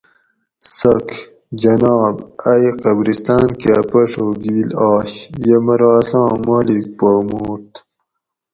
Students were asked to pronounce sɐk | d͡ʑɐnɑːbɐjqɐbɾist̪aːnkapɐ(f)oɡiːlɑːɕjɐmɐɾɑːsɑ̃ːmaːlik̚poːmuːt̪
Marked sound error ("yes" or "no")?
yes